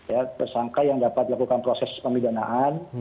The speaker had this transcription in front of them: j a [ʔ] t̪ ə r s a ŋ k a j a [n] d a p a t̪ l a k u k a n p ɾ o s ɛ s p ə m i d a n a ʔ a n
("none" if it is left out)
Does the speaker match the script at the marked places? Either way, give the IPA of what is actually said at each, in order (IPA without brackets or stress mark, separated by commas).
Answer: none, ŋ